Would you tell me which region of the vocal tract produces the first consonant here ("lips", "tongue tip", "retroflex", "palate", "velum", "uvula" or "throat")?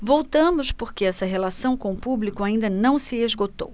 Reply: lips